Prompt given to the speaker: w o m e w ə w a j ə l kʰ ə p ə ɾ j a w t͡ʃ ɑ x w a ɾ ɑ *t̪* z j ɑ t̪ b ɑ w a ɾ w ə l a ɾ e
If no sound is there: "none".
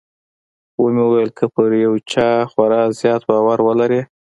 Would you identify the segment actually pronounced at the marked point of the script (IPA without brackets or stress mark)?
none